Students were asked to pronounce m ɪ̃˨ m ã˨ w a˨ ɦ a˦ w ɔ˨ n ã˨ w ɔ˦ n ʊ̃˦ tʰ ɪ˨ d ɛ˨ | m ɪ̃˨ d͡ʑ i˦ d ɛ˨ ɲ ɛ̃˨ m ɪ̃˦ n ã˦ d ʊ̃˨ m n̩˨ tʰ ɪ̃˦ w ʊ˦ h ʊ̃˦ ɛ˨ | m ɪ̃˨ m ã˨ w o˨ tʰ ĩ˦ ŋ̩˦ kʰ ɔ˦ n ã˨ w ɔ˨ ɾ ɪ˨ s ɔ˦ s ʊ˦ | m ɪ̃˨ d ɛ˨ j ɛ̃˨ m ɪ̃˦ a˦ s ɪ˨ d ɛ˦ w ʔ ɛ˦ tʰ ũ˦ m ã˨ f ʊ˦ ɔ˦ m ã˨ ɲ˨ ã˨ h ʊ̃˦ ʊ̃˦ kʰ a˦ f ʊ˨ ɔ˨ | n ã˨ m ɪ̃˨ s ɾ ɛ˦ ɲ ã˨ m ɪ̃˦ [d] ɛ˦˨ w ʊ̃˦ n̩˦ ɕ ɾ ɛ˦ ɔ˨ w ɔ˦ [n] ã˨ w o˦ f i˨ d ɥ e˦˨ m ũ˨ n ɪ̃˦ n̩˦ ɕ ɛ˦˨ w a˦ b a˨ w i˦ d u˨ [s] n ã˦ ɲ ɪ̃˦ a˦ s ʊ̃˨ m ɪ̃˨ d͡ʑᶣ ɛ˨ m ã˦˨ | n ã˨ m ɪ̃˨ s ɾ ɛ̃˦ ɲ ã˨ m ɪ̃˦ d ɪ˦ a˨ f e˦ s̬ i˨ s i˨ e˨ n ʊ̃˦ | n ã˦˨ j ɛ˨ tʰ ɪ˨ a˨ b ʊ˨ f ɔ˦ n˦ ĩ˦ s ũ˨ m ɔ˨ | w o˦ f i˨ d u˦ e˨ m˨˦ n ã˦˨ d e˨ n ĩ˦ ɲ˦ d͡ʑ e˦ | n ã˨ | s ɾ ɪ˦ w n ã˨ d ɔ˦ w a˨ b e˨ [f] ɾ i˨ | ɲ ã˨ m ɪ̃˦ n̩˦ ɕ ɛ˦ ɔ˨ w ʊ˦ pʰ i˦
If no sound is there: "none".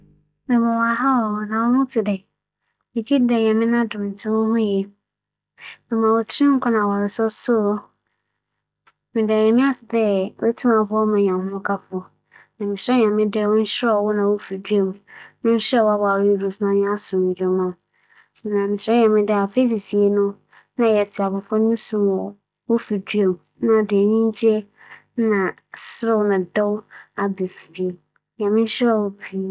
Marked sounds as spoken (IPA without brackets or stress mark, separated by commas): d, n, s, f